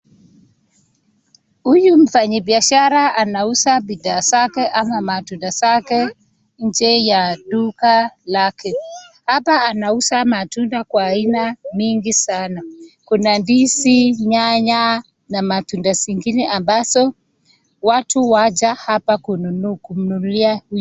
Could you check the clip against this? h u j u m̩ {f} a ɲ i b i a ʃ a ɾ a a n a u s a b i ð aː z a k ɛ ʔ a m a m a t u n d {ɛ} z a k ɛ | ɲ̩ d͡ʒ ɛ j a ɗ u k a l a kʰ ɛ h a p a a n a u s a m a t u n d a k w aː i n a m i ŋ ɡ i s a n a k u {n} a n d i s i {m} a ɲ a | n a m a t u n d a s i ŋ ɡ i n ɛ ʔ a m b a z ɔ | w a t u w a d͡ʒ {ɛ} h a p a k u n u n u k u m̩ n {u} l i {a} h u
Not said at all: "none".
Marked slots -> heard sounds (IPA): f, a, n, ɲ, a, u, a

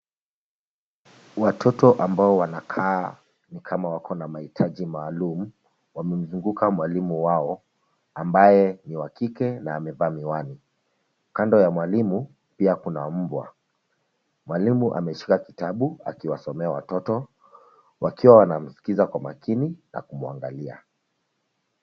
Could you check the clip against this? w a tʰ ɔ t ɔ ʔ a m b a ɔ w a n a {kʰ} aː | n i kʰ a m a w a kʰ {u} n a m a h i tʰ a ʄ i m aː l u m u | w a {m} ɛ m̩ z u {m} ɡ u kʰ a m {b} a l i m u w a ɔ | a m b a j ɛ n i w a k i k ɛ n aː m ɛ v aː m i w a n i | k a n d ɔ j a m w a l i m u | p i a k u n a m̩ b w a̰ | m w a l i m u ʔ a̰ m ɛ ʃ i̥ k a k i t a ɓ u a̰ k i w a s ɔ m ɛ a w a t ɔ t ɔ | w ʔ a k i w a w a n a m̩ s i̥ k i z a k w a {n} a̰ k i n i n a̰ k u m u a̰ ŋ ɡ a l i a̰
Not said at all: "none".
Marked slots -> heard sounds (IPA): kʰ, ɔ, m, ŋ, w, m

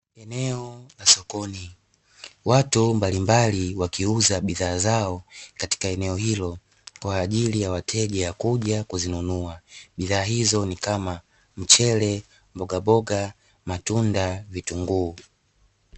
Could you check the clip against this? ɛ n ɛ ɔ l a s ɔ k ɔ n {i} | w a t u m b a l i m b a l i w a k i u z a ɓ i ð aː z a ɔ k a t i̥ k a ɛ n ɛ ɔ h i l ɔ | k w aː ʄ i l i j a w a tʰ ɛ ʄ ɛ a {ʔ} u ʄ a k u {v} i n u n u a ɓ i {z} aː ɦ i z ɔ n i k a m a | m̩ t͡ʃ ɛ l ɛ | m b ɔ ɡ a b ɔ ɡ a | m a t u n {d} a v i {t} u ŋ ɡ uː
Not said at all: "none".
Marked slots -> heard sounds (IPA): i, k, z, ð, d, t

